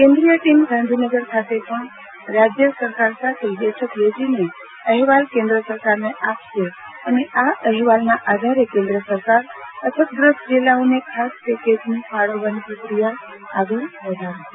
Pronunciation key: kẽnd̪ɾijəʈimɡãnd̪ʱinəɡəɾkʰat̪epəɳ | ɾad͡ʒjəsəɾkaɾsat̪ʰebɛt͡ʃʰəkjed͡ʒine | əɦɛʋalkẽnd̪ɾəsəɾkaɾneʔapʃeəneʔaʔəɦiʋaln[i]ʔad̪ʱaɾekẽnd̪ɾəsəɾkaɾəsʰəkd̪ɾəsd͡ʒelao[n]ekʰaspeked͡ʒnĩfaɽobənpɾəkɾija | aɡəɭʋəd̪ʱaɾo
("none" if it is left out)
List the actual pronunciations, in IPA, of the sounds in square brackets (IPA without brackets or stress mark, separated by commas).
a, n